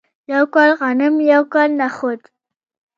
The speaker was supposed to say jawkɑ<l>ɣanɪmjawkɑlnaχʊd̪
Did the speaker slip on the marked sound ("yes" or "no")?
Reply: no